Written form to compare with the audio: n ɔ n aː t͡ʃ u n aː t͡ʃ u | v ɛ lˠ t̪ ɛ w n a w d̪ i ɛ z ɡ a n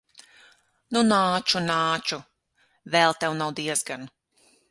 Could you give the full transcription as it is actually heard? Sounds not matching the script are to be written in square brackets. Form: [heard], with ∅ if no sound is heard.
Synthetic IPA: n [u] n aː t͡ʃ u n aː t͡ʃ u | v ɛ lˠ t̪ ɛ w n a w d̪ i ɛ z ɡ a n

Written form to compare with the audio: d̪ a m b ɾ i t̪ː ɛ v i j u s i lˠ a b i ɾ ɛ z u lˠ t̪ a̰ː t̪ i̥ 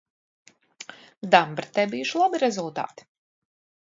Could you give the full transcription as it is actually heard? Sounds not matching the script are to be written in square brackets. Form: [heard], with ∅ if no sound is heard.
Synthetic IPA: d̪ a m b ɾ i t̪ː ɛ [b] i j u [ʃ] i lˠ a b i ɾ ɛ z u lˠ t̪ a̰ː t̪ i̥

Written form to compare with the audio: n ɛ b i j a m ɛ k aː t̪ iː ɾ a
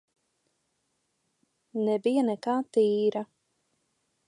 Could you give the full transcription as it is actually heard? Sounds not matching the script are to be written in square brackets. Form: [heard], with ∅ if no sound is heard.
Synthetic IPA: n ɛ b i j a [n] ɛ k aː t̪ iː ɾ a

